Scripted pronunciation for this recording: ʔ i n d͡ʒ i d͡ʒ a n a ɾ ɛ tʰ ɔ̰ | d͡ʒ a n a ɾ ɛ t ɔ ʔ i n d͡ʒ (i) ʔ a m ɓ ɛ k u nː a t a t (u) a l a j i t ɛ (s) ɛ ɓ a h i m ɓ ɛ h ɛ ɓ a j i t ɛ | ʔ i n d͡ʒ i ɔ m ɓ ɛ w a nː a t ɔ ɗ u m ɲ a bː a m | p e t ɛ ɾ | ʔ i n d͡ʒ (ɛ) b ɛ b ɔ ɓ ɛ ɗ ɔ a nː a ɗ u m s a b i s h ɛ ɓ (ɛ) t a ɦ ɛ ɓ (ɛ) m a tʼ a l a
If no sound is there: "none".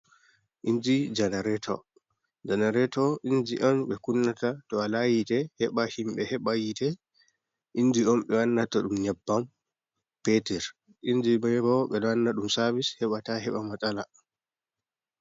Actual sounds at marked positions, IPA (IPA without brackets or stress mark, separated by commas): i, ɔ, h, i, a, a